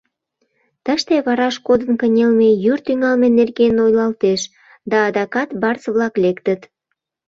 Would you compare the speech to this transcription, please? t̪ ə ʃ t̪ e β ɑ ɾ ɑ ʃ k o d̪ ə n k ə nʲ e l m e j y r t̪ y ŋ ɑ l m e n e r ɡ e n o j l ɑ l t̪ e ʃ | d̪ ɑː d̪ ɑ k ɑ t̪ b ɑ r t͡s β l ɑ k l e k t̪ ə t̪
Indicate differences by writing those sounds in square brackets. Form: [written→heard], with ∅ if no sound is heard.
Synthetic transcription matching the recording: t̪ ə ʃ t̪ e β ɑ ɾ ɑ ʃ k o d̪ ə n k ə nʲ e l m e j y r t̪ y ŋ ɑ l m e n e r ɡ e n o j l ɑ l t̪ e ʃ | d̪ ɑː d̪ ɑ k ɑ t̪ b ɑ r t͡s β l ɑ k l e k t̪ ə t̪